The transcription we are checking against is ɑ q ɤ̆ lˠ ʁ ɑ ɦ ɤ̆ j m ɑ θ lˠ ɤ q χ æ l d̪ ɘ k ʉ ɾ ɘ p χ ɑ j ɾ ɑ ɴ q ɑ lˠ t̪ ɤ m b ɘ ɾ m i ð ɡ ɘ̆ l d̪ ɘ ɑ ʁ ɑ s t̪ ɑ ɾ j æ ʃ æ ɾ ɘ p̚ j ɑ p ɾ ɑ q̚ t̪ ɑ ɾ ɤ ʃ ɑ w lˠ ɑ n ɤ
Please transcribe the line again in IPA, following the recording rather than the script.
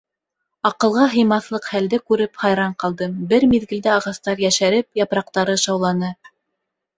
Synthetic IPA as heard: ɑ q ɤ̆ lˠ ʁ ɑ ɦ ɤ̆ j m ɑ θ lˠ ɤ q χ æ l d̪ ɘ k ʉ ɾ ɘ p χ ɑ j ɾ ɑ ɴ q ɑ lˠ d̪ ɤ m b ɘ ɾ m i ð ɡ ɘ̆ l d̪ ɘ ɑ ʁ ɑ s t̪ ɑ ɾ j æ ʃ æ ɾ ɘ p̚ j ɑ p ɾ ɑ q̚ t̪ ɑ ɾ ɤ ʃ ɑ w lˠ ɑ n ɤ

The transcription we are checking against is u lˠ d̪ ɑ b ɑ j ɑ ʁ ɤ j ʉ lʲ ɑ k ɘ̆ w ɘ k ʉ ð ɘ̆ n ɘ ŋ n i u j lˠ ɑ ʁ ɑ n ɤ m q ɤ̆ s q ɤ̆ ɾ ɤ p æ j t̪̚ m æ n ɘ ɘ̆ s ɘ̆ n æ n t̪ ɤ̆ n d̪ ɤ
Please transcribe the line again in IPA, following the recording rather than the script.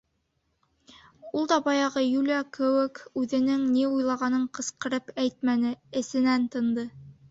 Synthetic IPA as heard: u lˠ d̪ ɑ b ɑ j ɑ ʁ ɤ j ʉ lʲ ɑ k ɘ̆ w ɘ k ʉ ð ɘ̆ n ɘ ŋ n i u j lˠ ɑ ʁ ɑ n ɤ ɴ q ɤ̆ s q ɤ̆ ɾ ɤ p æ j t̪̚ m æ n ɘ ɘ̆ s ɘ̆ n æ n t̪ ɤ̆ n d̪ ɤ

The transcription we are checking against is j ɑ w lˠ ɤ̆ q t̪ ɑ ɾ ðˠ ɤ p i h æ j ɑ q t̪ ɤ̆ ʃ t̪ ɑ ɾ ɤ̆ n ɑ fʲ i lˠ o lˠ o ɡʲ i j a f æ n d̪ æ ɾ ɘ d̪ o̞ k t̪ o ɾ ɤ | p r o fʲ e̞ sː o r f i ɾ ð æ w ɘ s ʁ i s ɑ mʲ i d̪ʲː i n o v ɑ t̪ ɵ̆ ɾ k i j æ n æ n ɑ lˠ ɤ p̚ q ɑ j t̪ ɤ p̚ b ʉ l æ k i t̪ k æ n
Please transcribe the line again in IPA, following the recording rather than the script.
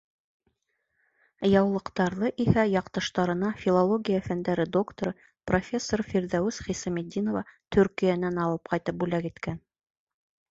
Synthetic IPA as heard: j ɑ w lˠ ɤ̆ q t̪ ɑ ɾ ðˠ ɤ ʔ i h æ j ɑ q t̪ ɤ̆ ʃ t̪ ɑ ɾ ɤ̆ n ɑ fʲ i lˠ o lˠ o ɡʲ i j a f æ n d̪ æ ɾ ɘ d̪ o̞ k t̪ o ɾ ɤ | p r o fʲ e̞ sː o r f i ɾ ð æ w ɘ s χ i s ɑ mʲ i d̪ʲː i n o v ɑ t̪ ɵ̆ ɾ k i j æ n æ n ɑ lˠ ɤ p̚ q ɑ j t̪ ɤ p̚ b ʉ l æ k i t̪ k æ n

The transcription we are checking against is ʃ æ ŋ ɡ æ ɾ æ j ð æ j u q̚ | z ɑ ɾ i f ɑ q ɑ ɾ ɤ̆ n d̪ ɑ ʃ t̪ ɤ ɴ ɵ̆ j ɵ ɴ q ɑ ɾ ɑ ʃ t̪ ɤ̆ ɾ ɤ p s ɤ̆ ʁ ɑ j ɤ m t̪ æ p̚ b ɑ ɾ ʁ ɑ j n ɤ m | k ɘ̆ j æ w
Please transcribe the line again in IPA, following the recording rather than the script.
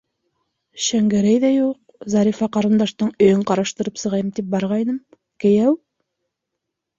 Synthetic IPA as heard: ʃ æ ŋ ɡ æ ɾ æ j ð æ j u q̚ | z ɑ ɾ i f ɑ q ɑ ɾ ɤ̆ n d̪ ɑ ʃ t̪ ɤ ɴ ɵ̆ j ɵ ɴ q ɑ ɾ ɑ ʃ t̪ ɤ̆ ɾ ɤ p s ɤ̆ ʁ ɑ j ɤ m t̪ i p̚ b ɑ ɾ ʁ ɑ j n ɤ m | k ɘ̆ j æ w

